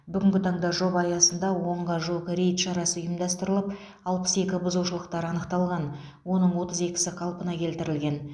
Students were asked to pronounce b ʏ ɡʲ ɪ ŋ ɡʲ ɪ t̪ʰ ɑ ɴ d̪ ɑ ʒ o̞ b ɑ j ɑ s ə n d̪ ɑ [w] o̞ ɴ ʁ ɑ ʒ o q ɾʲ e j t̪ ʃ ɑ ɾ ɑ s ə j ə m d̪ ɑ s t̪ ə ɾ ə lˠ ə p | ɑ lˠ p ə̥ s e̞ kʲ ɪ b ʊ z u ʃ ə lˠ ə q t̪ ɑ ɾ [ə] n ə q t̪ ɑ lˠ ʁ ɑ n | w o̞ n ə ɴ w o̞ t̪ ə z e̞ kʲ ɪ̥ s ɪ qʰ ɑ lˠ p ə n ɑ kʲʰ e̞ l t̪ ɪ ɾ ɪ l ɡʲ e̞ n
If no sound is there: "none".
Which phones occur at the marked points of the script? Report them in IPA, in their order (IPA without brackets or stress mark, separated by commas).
w, ɑ